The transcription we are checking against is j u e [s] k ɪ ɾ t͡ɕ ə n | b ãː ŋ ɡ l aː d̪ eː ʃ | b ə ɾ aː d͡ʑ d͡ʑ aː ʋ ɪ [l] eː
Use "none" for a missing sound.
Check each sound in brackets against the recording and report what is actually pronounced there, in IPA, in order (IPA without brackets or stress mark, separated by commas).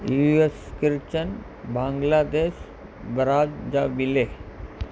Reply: s, l